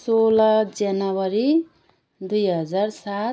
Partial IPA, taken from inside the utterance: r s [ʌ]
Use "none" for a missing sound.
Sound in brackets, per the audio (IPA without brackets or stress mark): a